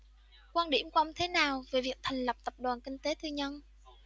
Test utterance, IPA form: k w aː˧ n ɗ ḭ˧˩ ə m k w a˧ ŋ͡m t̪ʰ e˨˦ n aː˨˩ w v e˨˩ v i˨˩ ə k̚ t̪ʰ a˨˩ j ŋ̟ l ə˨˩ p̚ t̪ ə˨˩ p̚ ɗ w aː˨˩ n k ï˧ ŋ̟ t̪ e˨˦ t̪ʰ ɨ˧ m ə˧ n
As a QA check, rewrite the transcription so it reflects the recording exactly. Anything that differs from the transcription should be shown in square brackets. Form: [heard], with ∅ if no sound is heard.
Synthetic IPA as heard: k w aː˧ n ɗ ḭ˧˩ ə m k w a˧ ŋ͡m t̪ʰ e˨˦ n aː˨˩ w v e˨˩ v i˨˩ ə k̚ t̪ʰ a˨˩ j ŋ̟ l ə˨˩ p̚ t̪ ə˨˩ p̚ ɗ w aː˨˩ n k ï˧ ŋ̟ t̪ e˨˦ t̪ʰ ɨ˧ [ɲ] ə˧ n

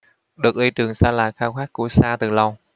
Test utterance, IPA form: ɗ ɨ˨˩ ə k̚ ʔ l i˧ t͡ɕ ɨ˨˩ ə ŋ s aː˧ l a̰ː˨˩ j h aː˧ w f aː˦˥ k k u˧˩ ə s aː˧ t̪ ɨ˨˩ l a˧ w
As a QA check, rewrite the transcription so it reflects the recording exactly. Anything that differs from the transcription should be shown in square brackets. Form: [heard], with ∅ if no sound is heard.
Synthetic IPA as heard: ɗ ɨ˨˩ ə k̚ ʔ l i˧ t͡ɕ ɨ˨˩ ə ŋ s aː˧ l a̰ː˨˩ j [x] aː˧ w [x] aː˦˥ k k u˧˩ ə s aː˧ t̪ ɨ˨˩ l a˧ w

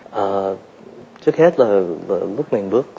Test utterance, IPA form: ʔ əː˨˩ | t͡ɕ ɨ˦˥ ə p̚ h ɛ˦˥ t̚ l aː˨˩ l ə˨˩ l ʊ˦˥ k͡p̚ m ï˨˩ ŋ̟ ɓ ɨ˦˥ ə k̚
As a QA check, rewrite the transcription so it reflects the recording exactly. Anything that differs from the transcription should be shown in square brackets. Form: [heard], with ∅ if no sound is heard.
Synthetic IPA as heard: ʔ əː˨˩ | t͡ɕ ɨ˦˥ ə [k̚] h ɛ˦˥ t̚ l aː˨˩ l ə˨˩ l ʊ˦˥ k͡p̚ m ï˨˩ ŋ̟ ɓ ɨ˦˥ ə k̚

